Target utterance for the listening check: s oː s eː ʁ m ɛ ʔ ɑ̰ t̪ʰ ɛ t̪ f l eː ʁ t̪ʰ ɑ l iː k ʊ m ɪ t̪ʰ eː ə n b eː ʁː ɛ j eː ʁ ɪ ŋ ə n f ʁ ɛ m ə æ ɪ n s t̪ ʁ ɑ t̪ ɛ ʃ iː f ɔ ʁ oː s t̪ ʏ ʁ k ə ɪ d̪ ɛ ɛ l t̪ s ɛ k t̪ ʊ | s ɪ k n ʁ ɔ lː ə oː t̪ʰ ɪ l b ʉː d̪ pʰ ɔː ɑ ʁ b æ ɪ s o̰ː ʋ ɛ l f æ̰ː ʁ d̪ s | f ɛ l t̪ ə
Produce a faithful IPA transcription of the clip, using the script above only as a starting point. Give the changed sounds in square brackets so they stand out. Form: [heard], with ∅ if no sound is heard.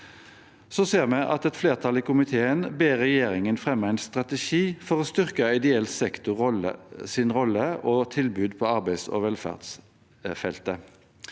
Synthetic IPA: s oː s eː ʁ m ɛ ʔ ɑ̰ [t̪] ɛ t̪ f l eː ʁ t̪ʰ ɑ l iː k ʊ m ɪ t̪ʰ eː ə n b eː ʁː ɛ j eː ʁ ɪ ŋ ə n f ʁ ɛ m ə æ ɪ n s t̪ ʁ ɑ t̪ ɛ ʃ iː f ɔ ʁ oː s t̪ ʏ ʁ k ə ɪ d̪ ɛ ɛ l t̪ s ɛ k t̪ ʊ | s ɪ [∅] n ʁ ɔ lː ə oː t̪ʰ ɪ l b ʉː d̪ pʰ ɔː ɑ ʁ b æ ɪ s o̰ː ʋ ɛ l f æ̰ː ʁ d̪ s | f ɛ l t̪ ə